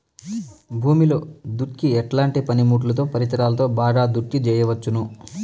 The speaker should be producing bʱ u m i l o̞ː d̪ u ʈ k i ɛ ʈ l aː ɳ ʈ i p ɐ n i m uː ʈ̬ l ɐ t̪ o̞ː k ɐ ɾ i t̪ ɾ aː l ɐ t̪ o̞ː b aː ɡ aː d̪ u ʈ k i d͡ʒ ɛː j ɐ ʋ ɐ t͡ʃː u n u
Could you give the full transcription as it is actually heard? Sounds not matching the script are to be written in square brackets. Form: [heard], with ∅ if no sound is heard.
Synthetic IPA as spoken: bʱ [uː] m i l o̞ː d̪ u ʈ k i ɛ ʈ l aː ɳ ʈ i p ɐ n i m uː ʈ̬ l ɐ t̪ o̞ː [p] ɐ ɾ i t̪ ɾ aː l ɐ t̪ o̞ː b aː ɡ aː d̪ u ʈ k i d͡ʒ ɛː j ɐ ʋ ɐ t͡ʃː u n u